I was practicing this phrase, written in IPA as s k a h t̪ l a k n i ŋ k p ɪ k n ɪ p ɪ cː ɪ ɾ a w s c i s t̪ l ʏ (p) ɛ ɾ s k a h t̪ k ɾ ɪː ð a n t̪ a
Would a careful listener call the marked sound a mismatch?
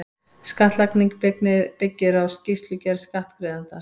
yes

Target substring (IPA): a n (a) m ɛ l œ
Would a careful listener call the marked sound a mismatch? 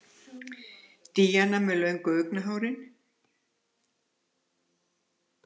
no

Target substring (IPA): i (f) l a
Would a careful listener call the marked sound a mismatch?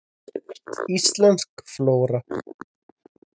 yes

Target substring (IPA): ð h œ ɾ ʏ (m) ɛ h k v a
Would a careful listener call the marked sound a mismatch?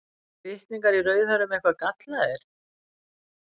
no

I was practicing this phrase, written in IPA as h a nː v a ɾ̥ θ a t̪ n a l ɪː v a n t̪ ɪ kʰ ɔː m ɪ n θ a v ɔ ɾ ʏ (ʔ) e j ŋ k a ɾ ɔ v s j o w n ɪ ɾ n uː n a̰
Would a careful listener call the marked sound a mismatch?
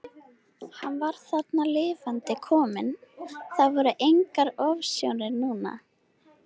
no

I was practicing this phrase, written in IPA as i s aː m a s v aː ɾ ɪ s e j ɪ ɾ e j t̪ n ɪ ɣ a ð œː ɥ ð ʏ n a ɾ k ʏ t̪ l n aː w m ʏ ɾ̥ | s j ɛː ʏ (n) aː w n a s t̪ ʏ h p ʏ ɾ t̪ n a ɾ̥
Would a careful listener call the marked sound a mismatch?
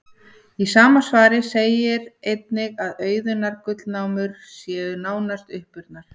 no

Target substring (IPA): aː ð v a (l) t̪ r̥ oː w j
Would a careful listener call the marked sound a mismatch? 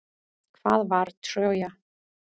yes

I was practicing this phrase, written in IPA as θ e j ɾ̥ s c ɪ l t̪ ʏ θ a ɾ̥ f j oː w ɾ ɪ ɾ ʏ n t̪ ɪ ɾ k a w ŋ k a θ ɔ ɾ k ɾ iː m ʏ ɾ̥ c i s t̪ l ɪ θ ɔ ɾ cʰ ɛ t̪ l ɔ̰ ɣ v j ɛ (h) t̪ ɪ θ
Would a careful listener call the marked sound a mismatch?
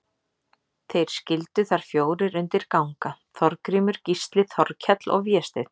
yes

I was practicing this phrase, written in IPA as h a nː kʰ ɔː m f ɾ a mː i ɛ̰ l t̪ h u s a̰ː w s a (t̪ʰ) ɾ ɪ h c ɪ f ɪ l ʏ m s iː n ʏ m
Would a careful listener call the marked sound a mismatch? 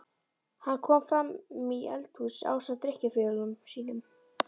yes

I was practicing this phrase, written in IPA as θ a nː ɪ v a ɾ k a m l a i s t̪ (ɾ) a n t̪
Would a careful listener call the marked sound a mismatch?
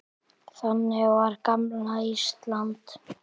yes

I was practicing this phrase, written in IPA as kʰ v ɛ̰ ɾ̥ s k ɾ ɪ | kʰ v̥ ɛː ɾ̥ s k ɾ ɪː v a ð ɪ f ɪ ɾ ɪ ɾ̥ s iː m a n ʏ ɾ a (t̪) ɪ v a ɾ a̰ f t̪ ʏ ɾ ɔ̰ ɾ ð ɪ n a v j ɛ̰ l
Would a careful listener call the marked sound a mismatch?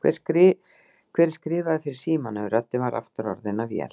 no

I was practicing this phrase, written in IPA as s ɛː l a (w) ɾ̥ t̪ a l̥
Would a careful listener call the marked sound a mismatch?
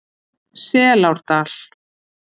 no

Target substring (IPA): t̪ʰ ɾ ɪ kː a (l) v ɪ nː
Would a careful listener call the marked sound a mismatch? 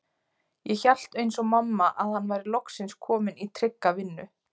yes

